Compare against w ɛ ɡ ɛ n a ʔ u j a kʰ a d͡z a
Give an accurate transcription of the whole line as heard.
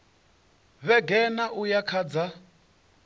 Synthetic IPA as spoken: β ɛ ɡ ɛ n a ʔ u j a kʰ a d͡z a

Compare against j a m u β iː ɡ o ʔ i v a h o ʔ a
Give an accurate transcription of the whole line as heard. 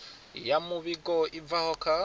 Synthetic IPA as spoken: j a m u β i ɡ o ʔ i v a h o k a

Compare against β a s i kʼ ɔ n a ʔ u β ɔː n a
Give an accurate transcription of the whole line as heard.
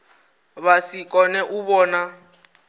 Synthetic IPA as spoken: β a s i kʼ ɔ n ɛ ʔ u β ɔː n a

